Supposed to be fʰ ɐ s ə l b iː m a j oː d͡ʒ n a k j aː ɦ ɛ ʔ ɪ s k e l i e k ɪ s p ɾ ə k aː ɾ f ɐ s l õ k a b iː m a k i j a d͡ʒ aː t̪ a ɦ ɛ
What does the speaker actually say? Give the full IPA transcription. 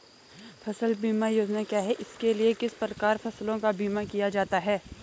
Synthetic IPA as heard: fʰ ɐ s ə l b iː m a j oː d͡ʒ n a k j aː ɦ ɛ ʔ ɪ s k e l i e k ɪ s p ɾ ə k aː ɾ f ɐ s l õ k a b iː m a k i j a d͡ʒ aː t̪ a ɦ ɛː